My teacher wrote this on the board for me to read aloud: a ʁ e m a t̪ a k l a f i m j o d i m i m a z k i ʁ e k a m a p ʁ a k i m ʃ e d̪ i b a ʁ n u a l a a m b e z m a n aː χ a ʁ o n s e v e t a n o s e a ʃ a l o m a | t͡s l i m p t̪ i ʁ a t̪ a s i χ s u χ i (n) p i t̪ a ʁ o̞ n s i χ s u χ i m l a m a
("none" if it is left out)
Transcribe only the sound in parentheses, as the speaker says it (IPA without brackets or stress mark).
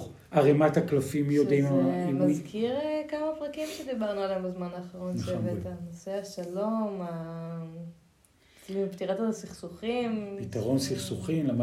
m